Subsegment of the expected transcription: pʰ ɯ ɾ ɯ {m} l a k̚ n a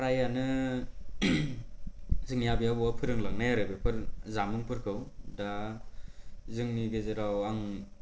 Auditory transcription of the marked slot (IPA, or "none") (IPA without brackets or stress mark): ŋ